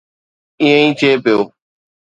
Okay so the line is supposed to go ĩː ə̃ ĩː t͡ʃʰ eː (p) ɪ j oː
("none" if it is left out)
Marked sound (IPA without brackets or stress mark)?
p